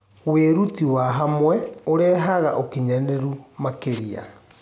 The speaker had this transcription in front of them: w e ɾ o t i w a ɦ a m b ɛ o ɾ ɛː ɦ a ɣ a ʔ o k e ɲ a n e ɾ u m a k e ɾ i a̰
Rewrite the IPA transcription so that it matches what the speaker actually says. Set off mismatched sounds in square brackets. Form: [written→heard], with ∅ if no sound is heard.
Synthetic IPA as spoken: w e ɾ [o→u] t i w a ɦ a m [b→w] ɛ o ɾ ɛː ɦ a ɣ a ʔ o k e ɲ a n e ɾ u m a k e ɾ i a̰